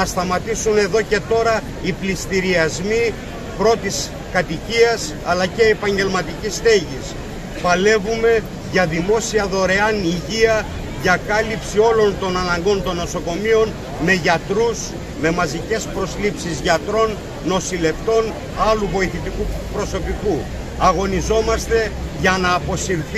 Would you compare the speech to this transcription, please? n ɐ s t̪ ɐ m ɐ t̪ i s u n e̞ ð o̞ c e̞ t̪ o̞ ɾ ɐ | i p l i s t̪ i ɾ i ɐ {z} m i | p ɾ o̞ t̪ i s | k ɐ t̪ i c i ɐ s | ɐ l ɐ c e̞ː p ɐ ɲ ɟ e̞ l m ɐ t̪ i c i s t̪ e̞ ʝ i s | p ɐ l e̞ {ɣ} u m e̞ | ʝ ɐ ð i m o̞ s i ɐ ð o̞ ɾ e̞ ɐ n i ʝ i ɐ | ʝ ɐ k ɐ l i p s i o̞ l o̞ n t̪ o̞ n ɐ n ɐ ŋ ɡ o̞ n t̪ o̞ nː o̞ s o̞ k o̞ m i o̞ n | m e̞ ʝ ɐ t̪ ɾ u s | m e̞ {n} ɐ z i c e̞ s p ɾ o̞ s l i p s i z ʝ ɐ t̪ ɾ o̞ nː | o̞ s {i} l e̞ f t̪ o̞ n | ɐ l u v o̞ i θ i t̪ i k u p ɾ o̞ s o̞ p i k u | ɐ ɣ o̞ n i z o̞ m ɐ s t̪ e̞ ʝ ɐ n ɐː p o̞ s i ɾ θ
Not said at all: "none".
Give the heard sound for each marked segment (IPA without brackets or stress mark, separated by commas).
z, v, m, i